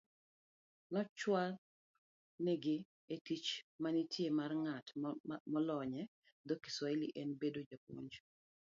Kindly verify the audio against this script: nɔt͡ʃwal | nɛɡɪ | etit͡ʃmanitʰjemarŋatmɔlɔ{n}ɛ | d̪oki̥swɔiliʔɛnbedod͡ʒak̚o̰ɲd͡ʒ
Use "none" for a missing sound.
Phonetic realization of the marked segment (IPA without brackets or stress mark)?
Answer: ɲ